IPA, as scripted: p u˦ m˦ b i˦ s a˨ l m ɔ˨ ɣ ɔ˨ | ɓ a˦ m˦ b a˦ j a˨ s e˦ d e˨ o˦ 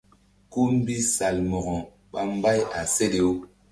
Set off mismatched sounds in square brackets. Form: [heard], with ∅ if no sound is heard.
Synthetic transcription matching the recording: [k] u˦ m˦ b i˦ s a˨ l m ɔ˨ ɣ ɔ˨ | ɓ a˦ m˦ b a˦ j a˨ s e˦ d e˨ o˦